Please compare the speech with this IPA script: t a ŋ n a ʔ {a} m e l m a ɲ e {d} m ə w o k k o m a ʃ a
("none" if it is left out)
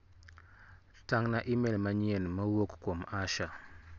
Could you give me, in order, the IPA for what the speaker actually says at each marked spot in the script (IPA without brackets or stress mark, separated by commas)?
i, n